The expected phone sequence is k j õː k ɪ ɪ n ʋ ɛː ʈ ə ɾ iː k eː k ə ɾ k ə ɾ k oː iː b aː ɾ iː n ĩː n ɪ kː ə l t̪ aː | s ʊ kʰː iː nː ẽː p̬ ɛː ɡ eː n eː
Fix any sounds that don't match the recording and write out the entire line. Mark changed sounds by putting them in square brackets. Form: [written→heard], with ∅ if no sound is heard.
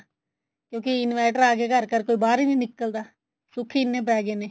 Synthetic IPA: k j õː k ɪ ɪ n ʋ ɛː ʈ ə ɾ [iː→aː] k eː k ə ɾ k ə ɾ k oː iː b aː ɾ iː n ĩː n ɪ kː ə l [t̪→d̪] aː | s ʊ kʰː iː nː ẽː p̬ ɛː ɡ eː n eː